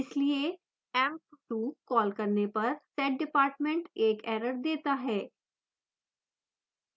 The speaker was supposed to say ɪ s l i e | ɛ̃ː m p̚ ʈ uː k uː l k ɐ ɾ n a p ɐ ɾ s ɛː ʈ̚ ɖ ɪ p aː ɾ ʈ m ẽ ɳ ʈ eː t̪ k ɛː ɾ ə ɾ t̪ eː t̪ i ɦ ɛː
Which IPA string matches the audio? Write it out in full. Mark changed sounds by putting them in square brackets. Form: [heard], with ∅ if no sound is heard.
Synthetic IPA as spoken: ɪ s l i e | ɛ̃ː m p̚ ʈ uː k [ɔː] l k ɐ ɾ n [e] p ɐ ɾ s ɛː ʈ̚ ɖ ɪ p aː ɾ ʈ m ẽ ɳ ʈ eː [∅] k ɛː ɾ ə ɾ [d̪] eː t̪ [a] ɦ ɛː